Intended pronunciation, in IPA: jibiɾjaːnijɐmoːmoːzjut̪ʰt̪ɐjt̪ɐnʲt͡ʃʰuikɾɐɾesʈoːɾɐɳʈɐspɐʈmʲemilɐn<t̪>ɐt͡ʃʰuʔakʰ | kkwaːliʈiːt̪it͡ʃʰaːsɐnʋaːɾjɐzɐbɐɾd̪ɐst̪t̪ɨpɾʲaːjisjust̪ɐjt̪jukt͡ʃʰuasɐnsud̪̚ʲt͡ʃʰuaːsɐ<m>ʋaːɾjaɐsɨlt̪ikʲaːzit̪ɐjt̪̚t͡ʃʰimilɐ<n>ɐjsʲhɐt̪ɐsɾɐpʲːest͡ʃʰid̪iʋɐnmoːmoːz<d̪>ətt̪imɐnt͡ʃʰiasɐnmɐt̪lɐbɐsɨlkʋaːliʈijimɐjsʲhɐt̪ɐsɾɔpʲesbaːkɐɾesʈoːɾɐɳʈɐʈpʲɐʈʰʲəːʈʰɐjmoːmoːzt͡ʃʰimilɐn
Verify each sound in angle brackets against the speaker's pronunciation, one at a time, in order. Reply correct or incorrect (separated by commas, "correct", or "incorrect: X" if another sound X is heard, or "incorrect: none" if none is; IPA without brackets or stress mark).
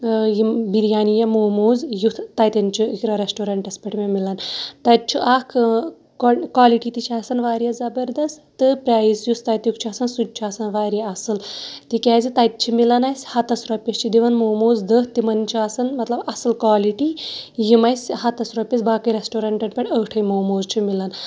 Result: correct, incorrect: n, correct, correct